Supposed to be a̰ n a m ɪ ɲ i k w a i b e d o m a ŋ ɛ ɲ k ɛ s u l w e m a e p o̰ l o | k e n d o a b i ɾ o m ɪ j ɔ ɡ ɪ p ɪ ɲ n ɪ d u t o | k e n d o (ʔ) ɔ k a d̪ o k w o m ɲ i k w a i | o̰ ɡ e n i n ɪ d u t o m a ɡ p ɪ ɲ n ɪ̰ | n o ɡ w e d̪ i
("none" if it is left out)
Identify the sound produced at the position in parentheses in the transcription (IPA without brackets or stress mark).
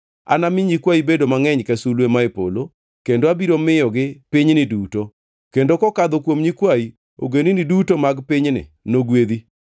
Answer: k